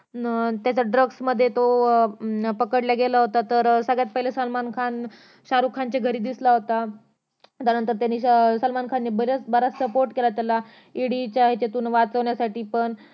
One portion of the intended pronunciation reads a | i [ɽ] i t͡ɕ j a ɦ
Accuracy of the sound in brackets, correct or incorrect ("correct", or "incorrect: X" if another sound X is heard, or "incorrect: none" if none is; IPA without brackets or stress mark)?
correct